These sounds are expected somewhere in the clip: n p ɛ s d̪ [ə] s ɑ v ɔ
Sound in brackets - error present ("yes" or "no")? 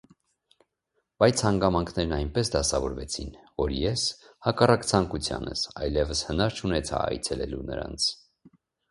yes